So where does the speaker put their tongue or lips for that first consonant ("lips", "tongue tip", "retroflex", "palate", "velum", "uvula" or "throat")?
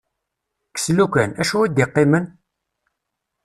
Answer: velum